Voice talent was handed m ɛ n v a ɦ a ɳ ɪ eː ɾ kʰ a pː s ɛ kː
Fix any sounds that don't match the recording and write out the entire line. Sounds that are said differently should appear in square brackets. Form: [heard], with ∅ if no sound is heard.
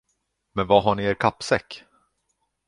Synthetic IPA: m ɛ n v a ɦ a ɳ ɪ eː ɾ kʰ a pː s ɛ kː